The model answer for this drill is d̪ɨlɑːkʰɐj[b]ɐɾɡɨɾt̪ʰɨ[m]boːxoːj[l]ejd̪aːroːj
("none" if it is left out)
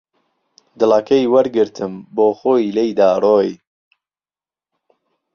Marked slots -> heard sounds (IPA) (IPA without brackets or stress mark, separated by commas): w, m, l